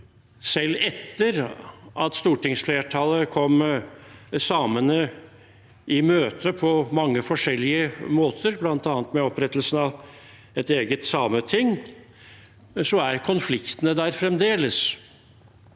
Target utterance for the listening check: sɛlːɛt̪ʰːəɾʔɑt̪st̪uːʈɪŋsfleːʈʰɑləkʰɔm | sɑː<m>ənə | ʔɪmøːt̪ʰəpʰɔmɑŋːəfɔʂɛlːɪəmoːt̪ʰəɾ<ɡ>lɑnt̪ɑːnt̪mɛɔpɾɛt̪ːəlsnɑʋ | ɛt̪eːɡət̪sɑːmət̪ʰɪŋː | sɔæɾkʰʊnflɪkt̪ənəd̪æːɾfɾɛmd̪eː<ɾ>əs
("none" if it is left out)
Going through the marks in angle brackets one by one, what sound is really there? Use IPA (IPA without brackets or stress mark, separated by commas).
m, b, l